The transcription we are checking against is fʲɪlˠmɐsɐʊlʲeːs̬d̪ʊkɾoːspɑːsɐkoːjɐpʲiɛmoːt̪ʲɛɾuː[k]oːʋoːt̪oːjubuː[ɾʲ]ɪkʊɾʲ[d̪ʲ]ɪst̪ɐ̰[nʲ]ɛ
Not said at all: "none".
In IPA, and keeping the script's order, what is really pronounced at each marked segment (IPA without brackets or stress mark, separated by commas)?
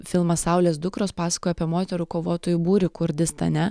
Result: k, ɾʲ, d̪ʲ, nʲ